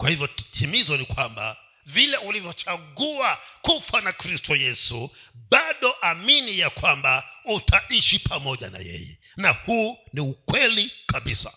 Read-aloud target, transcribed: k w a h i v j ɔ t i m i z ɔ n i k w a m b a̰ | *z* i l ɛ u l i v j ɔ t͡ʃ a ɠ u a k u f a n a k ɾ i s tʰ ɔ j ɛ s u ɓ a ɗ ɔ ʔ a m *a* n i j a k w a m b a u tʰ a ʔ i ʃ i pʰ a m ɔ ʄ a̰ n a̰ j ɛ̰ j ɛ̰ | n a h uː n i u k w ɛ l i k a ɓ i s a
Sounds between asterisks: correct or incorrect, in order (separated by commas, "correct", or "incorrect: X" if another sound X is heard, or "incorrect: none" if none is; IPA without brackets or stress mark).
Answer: incorrect: v, incorrect: i